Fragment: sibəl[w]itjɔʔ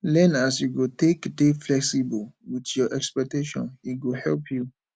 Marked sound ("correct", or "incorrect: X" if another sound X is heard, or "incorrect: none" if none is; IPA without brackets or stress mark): correct